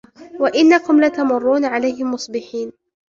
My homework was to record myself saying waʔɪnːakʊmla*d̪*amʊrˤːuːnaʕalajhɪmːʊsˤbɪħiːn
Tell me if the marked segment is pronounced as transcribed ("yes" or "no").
no